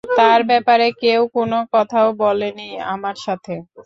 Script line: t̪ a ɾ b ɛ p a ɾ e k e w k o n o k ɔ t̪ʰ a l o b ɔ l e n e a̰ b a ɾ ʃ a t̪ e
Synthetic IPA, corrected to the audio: t̪ a ɾ b ɛ p a ɾ e k e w k o n o k ɔ t̪ʰ a o b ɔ l e n i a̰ m a ɾ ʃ a t̪ʰ e